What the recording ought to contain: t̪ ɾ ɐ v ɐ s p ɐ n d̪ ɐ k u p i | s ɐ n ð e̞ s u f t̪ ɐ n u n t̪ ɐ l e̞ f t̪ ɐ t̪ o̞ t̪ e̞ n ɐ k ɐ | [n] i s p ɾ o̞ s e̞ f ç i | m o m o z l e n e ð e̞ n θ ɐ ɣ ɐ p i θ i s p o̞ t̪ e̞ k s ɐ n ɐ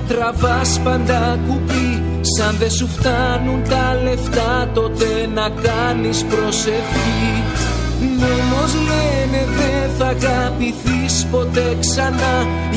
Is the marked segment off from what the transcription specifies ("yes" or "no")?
no